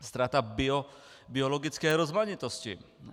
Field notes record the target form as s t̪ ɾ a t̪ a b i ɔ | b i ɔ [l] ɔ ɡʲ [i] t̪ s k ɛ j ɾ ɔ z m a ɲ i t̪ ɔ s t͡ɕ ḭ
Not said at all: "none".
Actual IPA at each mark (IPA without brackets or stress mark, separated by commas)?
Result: l, i